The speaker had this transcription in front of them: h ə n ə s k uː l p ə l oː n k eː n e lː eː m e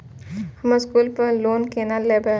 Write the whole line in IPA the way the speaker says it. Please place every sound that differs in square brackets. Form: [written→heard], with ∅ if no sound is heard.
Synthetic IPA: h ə [n→m] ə s k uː l p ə l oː n k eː n [e→a] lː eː [m→b] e